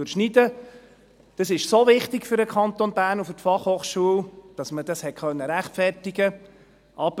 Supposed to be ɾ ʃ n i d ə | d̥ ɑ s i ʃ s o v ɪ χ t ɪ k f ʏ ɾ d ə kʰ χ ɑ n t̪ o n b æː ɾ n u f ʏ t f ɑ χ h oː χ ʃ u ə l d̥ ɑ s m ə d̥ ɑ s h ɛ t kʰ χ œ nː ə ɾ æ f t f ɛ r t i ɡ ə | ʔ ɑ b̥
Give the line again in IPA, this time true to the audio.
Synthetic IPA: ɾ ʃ n i d ə | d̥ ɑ s ɪ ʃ s o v ɪ χ t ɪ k f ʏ ɾ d ə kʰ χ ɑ n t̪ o n b æː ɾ n u f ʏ t f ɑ χ h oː χ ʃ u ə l d̥ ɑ s m ə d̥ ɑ s h ɛ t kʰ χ œ nː ə ɾ æ χ t f ɛ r t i ɡ ə | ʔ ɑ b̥